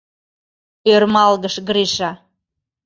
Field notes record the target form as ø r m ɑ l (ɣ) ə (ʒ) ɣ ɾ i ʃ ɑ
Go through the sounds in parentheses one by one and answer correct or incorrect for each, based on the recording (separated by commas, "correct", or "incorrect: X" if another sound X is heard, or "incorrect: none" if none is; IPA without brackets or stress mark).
correct, incorrect: ʃ